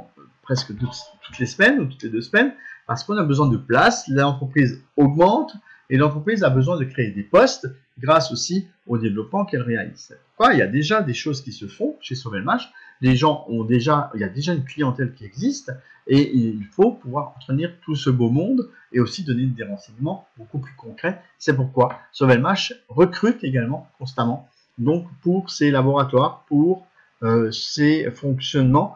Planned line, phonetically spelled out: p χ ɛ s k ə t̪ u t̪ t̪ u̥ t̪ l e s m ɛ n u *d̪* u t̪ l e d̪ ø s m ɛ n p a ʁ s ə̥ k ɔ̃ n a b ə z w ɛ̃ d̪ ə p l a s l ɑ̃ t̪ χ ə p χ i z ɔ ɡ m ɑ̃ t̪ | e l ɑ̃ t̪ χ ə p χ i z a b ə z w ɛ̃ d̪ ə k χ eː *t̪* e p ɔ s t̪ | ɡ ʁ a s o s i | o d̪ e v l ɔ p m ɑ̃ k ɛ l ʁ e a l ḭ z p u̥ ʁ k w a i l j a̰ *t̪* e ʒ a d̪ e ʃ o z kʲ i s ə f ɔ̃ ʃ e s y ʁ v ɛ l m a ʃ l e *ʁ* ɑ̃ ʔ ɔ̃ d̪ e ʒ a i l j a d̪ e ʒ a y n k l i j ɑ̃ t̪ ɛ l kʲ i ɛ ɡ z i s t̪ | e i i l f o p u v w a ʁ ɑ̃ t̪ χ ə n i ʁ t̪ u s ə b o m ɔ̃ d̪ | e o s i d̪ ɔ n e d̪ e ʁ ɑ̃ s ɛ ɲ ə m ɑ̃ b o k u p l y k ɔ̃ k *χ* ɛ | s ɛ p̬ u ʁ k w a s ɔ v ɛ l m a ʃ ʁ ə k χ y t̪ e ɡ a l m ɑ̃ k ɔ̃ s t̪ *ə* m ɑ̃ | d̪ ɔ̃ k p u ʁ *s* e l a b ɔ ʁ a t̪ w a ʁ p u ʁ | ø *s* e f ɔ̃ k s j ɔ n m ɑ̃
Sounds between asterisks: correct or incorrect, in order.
incorrect: t̪, incorrect: d̪, incorrect: d̪, incorrect: ʒ, correct, incorrect: a, correct, correct

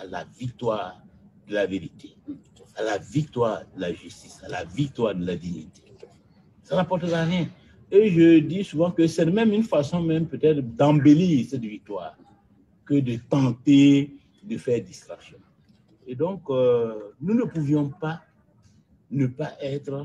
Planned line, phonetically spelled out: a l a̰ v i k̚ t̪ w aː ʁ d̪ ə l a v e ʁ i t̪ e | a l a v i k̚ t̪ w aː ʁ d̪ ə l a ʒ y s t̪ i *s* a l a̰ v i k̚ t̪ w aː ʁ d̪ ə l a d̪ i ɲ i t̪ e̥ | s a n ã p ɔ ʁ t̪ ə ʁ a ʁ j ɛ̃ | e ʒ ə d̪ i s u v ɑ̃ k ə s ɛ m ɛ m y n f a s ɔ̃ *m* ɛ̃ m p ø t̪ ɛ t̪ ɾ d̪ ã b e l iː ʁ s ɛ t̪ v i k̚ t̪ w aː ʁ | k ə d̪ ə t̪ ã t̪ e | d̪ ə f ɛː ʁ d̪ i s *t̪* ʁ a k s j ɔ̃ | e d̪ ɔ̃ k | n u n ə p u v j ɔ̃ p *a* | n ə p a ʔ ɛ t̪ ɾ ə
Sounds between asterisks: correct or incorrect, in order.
correct, correct, correct, correct

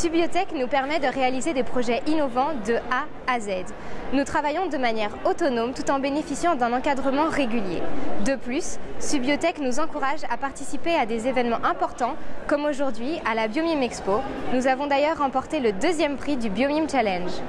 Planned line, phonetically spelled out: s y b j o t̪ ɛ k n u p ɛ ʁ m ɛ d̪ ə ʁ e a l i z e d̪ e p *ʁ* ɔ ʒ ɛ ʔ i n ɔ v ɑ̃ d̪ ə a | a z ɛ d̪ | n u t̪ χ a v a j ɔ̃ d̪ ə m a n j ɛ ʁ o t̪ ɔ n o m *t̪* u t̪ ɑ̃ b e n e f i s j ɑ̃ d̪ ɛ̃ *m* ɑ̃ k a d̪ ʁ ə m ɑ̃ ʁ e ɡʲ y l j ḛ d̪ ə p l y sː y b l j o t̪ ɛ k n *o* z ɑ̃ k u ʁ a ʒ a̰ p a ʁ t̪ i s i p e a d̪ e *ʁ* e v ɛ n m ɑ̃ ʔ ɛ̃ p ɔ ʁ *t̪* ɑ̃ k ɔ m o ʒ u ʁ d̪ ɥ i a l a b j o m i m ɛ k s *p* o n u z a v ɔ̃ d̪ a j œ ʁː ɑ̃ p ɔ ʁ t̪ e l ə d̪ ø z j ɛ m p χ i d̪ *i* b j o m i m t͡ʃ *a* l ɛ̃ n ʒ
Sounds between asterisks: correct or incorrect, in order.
incorrect: χ, correct, incorrect: n, incorrect: u, incorrect: z, correct, correct, incorrect: y, correct

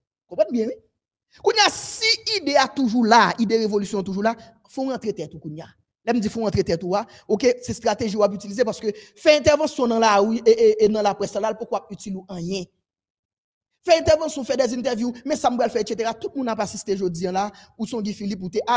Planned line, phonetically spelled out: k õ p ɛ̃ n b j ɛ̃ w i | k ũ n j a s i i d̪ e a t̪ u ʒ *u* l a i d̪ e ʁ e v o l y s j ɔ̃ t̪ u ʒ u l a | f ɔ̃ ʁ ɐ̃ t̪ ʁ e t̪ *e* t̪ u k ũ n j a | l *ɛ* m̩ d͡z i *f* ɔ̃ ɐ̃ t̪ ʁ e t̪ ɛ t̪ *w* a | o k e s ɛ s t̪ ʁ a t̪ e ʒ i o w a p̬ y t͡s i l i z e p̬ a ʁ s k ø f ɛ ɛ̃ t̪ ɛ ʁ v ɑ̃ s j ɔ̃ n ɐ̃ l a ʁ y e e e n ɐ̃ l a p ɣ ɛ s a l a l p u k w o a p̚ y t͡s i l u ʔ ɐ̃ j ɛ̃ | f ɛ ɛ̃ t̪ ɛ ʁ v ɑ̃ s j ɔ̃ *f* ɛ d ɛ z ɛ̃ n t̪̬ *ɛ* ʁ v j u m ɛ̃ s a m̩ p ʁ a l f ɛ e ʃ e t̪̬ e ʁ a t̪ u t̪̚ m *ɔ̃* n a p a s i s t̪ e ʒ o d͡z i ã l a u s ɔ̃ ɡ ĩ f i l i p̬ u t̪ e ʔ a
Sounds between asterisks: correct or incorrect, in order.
correct, incorrect: ɛ, correct, correct, incorrect: u, correct, correct, incorrect: ũ

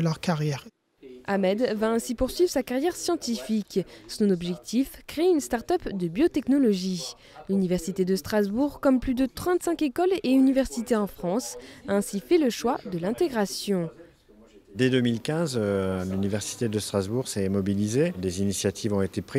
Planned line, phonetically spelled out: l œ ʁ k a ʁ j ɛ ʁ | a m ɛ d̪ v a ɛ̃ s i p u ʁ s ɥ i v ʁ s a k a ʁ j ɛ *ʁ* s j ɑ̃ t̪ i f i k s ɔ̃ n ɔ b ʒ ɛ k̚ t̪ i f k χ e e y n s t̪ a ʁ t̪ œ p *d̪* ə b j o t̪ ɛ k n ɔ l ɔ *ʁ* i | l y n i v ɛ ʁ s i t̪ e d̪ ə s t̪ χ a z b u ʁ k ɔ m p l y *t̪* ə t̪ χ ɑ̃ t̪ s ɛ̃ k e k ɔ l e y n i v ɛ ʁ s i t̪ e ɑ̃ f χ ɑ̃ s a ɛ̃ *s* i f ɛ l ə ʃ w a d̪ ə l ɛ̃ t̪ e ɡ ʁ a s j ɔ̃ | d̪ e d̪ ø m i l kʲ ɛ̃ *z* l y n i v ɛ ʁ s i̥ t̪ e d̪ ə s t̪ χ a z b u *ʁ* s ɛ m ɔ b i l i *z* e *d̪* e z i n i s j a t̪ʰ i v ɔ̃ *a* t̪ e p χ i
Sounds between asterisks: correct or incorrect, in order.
correct, correct, incorrect: ʒ, incorrect: d̪, correct, correct, correct, correct, correct, incorrect: e

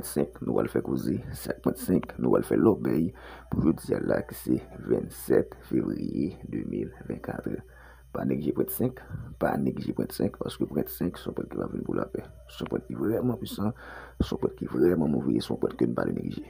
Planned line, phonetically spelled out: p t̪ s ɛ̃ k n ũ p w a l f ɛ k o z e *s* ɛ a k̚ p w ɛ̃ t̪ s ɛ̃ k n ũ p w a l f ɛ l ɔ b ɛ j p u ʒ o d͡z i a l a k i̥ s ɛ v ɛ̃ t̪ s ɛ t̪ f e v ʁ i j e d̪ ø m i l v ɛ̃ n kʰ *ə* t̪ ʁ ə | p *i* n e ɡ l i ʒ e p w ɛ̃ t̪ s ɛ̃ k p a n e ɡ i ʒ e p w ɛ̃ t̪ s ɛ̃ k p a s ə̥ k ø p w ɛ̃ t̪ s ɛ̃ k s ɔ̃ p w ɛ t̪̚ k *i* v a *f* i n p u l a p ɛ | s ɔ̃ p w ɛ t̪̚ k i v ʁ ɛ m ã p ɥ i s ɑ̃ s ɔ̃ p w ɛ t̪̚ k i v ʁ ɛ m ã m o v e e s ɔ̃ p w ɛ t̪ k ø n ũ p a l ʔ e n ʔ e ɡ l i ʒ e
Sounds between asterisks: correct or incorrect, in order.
correct, incorrect: a, incorrect: a, correct, incorrect: v

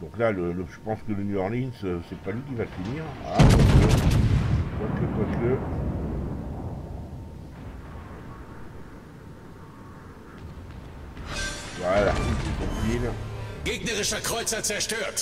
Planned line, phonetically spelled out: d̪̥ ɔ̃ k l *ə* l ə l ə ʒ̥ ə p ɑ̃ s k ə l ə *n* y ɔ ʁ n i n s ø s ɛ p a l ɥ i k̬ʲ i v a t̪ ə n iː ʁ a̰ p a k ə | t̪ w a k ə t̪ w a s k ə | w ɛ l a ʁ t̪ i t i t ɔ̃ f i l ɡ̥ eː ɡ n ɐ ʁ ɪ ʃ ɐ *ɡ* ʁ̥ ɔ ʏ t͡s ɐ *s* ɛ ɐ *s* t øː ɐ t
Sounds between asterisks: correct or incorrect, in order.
incorrect: a, correct, incorrect: k, incorrect: t͡s, incorrect: ʃ

